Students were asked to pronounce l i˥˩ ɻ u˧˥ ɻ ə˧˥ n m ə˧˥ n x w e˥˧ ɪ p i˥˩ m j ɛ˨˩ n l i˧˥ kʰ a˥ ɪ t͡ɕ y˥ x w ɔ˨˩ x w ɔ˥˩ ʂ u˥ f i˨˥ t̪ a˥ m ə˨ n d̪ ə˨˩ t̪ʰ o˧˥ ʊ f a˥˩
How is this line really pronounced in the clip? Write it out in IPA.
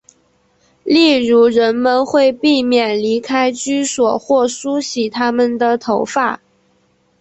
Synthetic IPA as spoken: l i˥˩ ɻ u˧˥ ɻ ə˧˥ n m ə˧ n x w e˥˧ ɪ p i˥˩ m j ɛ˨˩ n l i˧˥ kʰ a˥ ɪ t͡ɕ y˥ s w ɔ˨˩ x w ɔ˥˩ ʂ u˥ ɕ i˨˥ t̪ʰ a˥ m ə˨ n d̪ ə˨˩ t̪ʰ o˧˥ ʊ f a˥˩